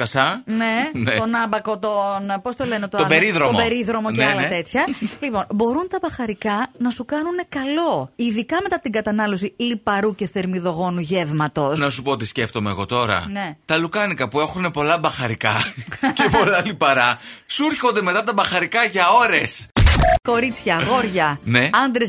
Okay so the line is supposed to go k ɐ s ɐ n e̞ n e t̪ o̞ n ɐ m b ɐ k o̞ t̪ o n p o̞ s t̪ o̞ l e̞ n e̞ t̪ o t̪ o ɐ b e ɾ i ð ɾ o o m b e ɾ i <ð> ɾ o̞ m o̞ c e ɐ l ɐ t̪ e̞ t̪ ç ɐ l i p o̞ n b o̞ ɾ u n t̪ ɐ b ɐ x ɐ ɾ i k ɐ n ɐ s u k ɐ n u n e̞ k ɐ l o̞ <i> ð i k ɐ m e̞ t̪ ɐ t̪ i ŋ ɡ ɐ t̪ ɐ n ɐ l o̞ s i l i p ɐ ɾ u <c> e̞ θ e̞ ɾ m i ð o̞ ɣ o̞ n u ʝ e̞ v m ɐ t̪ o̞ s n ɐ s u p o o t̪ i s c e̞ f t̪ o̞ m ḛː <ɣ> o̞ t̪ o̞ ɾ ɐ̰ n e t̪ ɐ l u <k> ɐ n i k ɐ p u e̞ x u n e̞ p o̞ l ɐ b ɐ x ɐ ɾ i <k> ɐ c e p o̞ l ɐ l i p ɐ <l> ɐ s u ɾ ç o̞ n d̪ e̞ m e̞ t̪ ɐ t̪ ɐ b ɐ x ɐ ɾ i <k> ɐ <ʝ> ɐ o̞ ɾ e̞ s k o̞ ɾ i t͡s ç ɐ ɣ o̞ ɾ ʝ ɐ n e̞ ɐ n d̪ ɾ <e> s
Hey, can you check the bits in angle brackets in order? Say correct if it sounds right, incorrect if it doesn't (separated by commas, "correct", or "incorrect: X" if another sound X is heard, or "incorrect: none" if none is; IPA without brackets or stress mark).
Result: correct, correct, correct, correct, correct, correct, incorrect: ɾ, correct, correct, correct